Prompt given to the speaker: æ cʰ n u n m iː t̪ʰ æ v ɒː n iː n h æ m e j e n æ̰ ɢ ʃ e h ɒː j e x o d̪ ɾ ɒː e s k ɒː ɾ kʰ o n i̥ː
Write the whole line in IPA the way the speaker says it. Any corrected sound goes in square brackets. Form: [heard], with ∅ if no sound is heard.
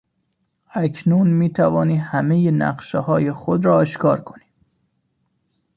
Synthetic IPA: æ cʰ n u n m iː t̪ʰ æ v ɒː n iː [∅] h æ m e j e n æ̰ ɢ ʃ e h ɒː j e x o d̪ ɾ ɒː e [ʃ] k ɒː ɾ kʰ o n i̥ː